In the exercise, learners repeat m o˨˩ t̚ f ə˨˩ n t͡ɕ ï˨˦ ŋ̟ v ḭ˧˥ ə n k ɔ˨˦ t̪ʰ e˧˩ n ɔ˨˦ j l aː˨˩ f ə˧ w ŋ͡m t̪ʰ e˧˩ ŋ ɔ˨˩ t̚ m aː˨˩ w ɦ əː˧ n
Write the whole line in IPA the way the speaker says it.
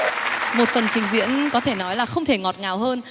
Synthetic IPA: m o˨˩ t̚ f ə˨˩ n t͡ɕ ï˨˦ ŋ̟ z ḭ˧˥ ə n k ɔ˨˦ t̪ʰ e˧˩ n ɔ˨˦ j l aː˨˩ x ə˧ w ŋ͡m t̪ʰ e˧˩ ŋ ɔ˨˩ t̚ ŋ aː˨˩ w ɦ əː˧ n